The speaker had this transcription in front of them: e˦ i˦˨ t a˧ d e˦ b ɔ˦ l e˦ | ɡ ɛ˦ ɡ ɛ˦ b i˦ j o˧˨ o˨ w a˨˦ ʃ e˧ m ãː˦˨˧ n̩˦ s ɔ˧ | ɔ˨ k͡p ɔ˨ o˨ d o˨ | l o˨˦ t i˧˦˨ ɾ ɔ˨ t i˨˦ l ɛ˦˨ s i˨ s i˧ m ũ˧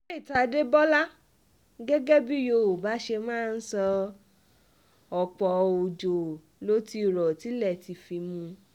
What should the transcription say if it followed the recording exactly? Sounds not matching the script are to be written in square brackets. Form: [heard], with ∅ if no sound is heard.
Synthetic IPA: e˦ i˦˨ t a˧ d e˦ b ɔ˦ l [a˦] | ɡ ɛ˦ ɡ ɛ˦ b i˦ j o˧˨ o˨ [b] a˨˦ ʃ e˧ m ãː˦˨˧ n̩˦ s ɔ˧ | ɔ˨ k͡p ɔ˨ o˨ [d͡ʒ] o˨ | l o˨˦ t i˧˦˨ ɾ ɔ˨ t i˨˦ l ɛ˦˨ [t] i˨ [f] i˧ m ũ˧

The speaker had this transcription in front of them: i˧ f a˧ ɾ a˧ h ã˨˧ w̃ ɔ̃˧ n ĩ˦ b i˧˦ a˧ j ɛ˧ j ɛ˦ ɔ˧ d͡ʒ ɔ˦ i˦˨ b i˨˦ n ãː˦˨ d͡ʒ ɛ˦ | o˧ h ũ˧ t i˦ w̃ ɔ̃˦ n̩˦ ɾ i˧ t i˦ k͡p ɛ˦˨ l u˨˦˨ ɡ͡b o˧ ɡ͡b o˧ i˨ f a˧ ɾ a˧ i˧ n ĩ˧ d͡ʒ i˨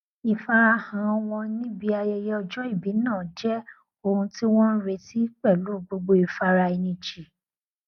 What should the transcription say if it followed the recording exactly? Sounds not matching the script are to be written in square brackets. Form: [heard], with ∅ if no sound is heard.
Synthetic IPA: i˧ f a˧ ɾ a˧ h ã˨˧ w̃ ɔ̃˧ n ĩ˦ b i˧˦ a˧ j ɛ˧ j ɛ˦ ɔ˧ d͡ʒ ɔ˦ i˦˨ b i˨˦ n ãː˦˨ d͡ʒ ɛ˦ | o˧ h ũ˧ t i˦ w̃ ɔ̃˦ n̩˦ ɾ [e˧] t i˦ k͡p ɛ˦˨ l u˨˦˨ ɡ͡b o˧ ɡ͡b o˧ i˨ f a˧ ɾ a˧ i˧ n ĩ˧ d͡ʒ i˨

